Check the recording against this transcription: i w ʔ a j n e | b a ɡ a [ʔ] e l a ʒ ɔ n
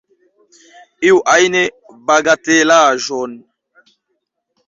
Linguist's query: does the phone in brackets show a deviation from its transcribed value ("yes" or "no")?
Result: yes